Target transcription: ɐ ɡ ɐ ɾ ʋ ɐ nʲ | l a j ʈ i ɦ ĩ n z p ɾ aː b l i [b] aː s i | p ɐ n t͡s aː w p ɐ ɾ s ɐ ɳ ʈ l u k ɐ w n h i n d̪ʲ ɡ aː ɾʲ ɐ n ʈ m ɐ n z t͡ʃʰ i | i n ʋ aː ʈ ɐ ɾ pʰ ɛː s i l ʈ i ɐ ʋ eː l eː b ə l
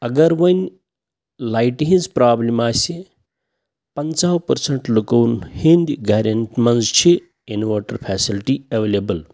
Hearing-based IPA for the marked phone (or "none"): m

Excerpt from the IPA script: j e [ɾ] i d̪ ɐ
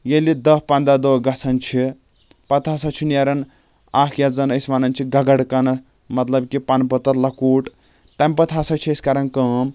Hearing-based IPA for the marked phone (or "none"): l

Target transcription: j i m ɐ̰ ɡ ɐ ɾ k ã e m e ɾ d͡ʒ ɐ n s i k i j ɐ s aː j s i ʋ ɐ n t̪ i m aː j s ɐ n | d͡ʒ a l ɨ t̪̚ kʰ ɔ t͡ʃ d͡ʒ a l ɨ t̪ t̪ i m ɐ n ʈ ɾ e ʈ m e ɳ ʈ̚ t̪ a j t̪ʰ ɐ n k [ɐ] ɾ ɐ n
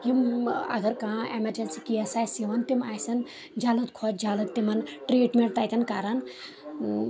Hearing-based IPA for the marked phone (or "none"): a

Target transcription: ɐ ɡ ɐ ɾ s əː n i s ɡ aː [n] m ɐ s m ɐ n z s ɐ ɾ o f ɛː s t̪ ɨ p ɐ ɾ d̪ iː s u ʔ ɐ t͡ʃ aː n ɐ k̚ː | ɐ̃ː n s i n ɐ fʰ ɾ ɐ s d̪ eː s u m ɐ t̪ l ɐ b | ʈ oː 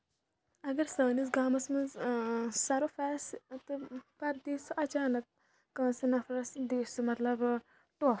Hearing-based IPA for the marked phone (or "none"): none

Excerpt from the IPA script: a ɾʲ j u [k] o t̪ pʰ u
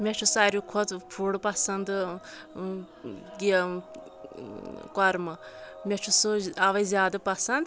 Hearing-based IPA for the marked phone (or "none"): kʰ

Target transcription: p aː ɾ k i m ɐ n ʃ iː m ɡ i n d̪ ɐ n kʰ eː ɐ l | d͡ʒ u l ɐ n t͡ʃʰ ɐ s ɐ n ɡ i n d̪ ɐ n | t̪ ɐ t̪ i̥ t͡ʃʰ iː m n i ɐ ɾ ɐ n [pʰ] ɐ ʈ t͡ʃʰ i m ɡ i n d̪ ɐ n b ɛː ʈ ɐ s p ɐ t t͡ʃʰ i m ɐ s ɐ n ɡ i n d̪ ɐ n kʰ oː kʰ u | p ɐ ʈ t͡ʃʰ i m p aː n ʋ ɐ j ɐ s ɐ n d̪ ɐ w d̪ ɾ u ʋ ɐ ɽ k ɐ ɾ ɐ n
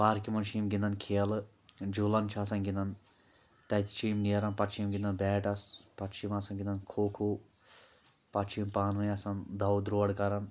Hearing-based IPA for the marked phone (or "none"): p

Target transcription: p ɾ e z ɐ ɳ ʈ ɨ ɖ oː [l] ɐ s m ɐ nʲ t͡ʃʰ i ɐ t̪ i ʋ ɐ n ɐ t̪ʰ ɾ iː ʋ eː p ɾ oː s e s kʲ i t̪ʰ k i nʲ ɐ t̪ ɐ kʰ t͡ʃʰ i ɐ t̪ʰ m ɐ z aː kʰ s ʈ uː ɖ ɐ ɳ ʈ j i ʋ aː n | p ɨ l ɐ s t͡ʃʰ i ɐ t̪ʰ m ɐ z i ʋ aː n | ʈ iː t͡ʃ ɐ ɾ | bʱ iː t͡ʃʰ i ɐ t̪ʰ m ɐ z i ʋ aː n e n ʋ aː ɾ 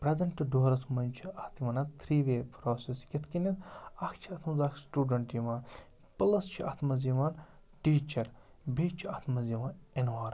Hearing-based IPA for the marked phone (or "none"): ɾ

